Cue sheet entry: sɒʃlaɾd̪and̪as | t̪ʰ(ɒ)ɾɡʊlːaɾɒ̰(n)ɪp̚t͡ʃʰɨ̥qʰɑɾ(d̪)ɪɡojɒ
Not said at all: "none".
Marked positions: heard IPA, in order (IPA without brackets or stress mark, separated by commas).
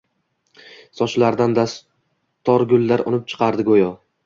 ɒ, n, d̪